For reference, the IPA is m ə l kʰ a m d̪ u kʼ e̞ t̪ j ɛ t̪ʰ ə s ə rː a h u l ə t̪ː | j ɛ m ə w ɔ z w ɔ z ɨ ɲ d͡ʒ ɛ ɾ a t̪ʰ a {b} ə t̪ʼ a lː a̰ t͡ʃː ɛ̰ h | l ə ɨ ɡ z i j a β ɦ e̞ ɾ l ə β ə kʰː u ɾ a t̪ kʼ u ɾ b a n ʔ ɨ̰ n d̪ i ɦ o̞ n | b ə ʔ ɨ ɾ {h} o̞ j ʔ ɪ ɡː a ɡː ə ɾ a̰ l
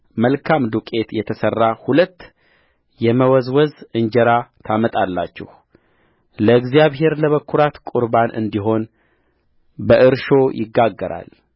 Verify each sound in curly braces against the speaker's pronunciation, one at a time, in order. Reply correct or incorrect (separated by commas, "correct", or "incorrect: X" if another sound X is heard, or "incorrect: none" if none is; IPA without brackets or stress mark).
incorrect: m, incorrect: ʃ